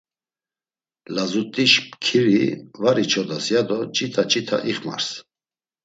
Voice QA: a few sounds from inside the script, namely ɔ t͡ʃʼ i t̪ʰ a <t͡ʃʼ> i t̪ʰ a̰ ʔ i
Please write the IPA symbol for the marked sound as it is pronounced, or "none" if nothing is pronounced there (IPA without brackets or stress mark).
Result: t͡ʃʼ